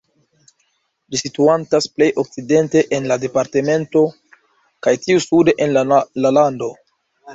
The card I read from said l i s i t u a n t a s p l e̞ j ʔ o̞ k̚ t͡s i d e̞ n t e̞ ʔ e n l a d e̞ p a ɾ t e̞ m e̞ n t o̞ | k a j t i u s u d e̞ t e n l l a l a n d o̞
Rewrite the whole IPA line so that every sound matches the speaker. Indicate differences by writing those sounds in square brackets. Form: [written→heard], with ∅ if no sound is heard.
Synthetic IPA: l i s i t u a n t a s p l e̞ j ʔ o̞ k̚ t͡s i d e̞ n t e̞ ʔ e n l a d e̞ p a ɾ t e̞ m e̞ n t o̞ | k a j t i u s u d e̞ [t→ʔ] e n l l a l a n d o̞

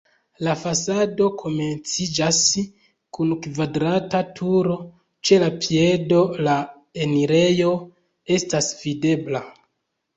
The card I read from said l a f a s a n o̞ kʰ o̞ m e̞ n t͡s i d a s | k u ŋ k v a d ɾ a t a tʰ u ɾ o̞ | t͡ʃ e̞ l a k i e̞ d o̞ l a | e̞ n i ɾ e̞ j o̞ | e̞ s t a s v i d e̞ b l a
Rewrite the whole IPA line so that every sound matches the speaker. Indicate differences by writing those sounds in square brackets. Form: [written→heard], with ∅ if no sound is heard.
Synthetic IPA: l a f a s a [n→d] o̞ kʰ o̞ m e̞ n t͡s i [d→d͡ʒ] a s | k u [ŋ→n] k v a d ɾ a t a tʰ u ɾ o̞ | t͡ʃ e̞ l a [k→p] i e̞ d o̞ l a | e̞ n i ɾ e̞ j o̞ | e̞ s t a s v i d e̞ b l a

